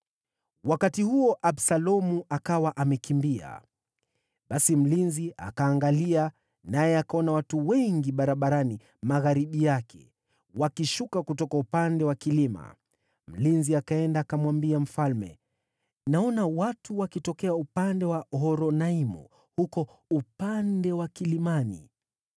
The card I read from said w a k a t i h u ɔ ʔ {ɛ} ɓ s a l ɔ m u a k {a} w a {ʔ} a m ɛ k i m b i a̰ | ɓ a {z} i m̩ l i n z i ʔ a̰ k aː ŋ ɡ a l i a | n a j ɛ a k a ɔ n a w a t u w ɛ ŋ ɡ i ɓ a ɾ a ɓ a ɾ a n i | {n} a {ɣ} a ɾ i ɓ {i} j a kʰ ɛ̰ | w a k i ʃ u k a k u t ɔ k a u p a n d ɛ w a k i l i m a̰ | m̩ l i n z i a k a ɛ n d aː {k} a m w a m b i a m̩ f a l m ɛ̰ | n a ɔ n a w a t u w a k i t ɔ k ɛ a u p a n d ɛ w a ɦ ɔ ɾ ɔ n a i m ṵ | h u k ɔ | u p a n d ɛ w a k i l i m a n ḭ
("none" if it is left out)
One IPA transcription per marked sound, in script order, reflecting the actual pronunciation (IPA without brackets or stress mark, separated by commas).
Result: a, a, ʔ, s, m, ɣ, i, k